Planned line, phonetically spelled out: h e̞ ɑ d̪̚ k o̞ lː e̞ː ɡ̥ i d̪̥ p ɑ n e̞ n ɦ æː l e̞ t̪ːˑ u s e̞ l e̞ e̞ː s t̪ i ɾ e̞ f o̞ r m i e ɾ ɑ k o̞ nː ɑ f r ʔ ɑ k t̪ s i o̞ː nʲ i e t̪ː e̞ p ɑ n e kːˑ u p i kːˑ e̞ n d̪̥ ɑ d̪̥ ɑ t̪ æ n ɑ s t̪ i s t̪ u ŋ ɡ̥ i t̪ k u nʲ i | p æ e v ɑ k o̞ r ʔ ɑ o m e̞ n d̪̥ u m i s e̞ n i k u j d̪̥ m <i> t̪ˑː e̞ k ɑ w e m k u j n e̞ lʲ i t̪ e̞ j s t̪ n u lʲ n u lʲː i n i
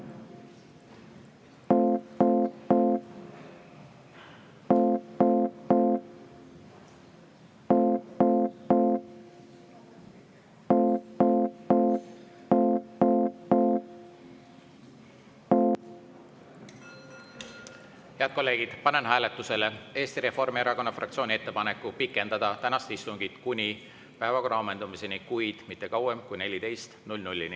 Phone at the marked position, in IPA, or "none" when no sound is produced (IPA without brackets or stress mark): i